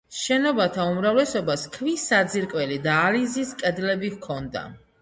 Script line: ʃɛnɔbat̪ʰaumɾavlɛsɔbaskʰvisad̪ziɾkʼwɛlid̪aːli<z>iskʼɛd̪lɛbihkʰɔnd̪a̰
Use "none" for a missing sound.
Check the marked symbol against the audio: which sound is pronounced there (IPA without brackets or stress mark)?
z